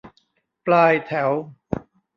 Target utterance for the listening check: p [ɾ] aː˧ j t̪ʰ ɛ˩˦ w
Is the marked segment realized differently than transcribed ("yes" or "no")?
yes